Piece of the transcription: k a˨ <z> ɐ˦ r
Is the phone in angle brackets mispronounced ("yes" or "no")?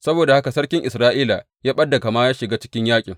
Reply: yes